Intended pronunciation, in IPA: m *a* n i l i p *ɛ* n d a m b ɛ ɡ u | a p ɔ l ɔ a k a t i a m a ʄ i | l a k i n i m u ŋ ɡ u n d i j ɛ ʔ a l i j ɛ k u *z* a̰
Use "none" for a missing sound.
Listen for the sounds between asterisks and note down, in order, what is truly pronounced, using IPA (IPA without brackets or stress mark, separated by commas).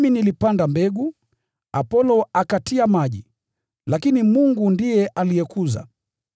i, a, z